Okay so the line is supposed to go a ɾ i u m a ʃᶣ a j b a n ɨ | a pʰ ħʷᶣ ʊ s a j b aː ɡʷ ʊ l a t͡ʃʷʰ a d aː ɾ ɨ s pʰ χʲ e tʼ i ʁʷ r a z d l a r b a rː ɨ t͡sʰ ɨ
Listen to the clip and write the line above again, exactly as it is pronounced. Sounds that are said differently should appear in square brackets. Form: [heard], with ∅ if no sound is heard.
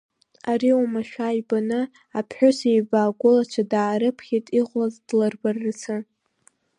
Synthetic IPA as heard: a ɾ i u m a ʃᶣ a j b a n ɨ | a pʰ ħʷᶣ ʊ s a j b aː ɡʷ ʊ l a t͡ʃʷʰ a d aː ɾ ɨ [∅] pʰ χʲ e tʼ i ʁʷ [l] a z d l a r b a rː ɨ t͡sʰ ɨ